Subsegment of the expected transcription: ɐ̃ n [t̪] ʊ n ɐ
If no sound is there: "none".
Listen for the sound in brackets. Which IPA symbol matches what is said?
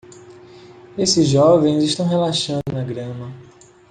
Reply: d̪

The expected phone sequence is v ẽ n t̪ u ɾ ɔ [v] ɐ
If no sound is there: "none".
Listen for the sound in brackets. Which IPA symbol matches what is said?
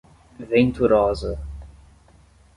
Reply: z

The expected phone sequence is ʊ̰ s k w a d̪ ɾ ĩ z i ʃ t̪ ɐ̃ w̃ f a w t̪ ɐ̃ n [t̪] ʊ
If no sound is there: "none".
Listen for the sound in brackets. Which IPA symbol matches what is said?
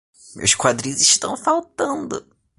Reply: d̪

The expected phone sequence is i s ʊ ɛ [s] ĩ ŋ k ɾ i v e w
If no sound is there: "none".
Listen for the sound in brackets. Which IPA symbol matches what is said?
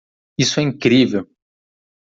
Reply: none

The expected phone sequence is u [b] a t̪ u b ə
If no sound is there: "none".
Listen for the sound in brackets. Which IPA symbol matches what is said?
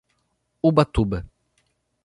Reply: b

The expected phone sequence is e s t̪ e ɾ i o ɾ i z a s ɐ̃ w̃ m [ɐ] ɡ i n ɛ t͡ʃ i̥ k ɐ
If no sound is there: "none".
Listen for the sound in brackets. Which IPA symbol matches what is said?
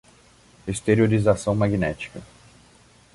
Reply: a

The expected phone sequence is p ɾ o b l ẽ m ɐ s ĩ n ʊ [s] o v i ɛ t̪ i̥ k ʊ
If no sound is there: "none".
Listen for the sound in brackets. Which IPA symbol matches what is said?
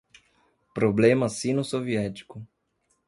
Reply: s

